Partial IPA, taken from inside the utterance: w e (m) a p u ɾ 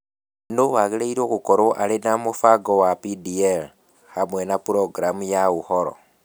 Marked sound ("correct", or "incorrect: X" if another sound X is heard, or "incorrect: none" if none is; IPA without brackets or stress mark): incorrect: n